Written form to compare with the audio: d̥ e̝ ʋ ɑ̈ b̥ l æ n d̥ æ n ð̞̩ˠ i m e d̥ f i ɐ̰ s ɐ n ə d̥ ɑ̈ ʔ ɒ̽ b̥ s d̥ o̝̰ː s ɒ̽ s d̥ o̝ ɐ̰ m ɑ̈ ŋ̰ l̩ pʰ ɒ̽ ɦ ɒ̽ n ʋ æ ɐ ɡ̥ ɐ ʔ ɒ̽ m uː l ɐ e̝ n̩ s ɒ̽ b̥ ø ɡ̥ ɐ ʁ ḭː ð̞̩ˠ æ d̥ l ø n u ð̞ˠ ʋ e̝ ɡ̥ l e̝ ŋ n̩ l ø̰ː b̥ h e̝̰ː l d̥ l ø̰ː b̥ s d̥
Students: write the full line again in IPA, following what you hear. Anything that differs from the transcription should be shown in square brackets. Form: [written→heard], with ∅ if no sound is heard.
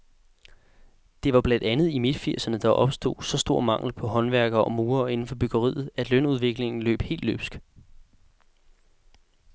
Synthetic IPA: d̥ e̝ ʋ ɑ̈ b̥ l æ n d̥ æ n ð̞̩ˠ i m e d̥ f i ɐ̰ s ɐ n ə d̥ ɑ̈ ʔ ɒ̽ b̥ s d̥ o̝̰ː s ɒ̽ s d̥ o̝ ɐ̰ m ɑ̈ ŋ̰ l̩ pʰ ɒ̽ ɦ ɒ̽ n ʋ æ ɐ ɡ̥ ɐ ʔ ɒ̽ m uː [l→∅] ɐ e̝ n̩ [s→f] ɒ̽ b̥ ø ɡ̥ ɐ ʁ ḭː ð̞̩ˠ æ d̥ l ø n u ð̞ˠ ʋ e̝ ɡ̥ l e̝ ŋ n̩ l ø̰ː b̥ h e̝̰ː l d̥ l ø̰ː b̥ s [d̥→ɡ̥]

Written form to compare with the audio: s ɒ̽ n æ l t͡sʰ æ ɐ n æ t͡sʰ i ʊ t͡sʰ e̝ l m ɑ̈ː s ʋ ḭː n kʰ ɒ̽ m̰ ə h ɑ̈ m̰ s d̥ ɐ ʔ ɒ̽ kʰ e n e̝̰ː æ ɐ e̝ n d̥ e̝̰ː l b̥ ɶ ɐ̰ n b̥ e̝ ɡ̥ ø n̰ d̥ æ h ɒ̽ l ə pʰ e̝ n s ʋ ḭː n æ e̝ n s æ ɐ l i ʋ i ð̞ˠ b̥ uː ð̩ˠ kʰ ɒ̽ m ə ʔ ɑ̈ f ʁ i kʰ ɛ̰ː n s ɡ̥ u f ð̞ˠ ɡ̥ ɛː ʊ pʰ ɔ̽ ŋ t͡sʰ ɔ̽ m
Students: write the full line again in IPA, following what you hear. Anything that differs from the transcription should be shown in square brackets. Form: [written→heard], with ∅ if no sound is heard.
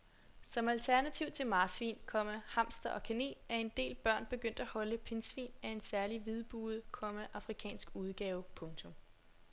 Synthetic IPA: s ɒ̽ [n→m] æ l t͡sʰ æ ɐ n æ t͡sʰ i ʊ t͡sʰ e̝ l m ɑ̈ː s ʋ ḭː n kʰ ɒ̽ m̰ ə h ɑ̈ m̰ s d̥ ɐ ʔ ɒ̽ kʰ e n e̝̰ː æ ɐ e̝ n d̥ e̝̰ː l b̥ ɶ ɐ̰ n b̥ e̝ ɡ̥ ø n̰ d̥ æ h ɒ̽ l ə pʰ e̝ n s ʋ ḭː n æ e̝ n s æ ɐ l i ʋ i ð̞ˠ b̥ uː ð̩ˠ kʰ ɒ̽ m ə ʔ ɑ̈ f ʁ i kʰ ɛ̰ː n s ɡ̥ u [f→∅] ð̞ˠ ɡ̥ ɛː ʊ pʰ ɔ̽ ŋ t͡sʰ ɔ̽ m

